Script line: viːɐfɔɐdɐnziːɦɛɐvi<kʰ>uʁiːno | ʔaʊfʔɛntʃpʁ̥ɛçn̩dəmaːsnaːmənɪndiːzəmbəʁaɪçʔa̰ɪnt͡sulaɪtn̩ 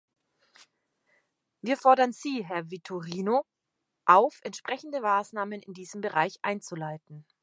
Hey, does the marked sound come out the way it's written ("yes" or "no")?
no